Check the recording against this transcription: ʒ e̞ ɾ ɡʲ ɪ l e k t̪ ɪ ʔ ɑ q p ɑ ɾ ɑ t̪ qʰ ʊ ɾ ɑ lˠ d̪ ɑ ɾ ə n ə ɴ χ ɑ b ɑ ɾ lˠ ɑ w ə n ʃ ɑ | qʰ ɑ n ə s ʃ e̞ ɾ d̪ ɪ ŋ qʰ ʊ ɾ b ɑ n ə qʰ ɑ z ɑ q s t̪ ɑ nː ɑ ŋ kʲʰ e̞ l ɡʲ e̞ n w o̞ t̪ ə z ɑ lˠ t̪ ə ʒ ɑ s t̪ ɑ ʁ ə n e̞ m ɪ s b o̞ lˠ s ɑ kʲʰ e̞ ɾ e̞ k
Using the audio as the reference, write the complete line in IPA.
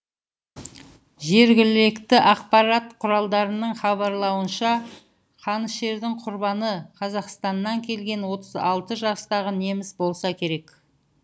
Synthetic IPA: ʒ e̞ ɾ ɡʲ ɪ l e k t̪ ɪ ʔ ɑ q p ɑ ɾ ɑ t̪ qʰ ʊ ɾ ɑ lˠ d̪ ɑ ɾ ə n ə ɴ χ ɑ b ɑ ɾ lˠ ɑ w ə n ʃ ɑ | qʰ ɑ n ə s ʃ e̞ ɾ d̪ ɪ ŋ qʰ ʊ ɾ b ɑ n ə qʰ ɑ z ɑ q s t̪ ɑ nː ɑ ŋ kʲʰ e̞ l ɡʲ e̞ n w o̞ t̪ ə z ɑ lˠ t̪ ə ʒ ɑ s t̪ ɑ ʁ ə n e̞ m ɪ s b o̞ lˠ s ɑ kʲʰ e̞ ɾ e̞ k